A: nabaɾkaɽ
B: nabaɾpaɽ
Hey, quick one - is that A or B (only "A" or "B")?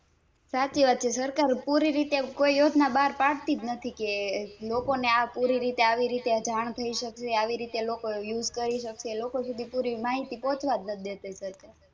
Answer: B